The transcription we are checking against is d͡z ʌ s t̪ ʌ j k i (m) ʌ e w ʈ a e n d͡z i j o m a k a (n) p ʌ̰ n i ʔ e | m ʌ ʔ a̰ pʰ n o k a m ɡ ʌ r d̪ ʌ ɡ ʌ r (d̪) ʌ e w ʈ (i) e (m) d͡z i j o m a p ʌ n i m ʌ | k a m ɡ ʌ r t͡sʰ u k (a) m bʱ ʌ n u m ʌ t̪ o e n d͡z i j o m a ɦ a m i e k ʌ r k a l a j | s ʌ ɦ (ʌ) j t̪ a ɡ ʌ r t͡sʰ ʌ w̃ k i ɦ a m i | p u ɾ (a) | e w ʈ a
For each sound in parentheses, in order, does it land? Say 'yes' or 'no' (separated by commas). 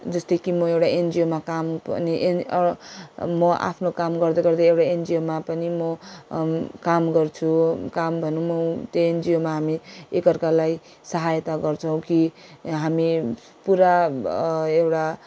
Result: yes, no, yes, no, no, yes, no, yes